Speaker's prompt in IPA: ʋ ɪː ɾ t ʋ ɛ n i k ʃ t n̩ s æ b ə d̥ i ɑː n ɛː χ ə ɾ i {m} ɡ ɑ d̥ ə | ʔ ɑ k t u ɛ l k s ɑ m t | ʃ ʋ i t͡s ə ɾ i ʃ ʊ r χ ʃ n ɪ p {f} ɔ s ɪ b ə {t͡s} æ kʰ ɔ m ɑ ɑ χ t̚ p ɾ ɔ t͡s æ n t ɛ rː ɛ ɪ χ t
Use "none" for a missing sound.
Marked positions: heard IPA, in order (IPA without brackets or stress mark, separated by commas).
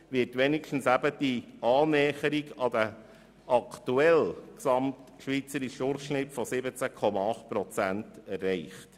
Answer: none, f, t͡s